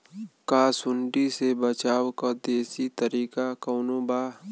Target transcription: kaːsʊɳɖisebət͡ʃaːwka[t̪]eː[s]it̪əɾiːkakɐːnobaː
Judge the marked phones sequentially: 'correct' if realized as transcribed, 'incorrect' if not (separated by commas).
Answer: incorrect, correct